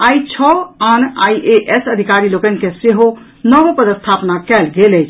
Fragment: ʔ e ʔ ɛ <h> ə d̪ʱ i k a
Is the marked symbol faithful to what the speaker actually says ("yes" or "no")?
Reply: no